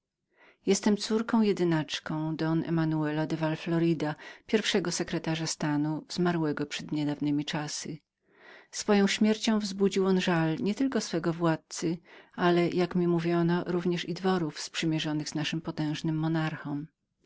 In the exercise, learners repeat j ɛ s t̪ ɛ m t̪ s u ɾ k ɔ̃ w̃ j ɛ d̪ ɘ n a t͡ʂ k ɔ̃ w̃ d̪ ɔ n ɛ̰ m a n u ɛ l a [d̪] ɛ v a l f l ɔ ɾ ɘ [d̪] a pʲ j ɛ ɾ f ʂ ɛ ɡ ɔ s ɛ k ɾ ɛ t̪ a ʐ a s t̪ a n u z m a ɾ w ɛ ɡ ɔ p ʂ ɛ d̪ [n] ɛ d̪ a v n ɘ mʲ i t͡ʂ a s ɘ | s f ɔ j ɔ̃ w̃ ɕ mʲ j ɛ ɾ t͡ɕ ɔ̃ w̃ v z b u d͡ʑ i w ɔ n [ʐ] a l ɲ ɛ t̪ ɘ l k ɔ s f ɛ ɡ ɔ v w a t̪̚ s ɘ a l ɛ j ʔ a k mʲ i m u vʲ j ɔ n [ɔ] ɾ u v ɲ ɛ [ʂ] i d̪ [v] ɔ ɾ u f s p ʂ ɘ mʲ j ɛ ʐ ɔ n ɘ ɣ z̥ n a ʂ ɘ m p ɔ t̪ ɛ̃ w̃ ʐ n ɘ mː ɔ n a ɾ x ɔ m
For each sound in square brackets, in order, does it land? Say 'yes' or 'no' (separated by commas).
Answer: yes, yes, no, yes, yes, yes, yes